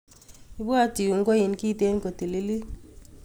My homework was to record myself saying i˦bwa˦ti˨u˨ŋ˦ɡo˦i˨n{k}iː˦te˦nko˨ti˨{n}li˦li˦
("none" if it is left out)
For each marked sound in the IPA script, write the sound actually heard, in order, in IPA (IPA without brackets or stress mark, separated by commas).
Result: k, none